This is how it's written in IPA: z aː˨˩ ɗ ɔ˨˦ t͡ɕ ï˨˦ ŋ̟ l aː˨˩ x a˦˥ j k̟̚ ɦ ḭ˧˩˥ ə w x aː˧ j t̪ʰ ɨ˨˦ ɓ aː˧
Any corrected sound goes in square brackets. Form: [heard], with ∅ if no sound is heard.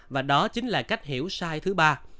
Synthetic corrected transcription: [v] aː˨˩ ɗ ɔ˨˦ t͡ɕ ï˨˦ ŋ̟ l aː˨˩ [k] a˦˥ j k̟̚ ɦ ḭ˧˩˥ ə w [s] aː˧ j t̪ʰ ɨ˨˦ ɓ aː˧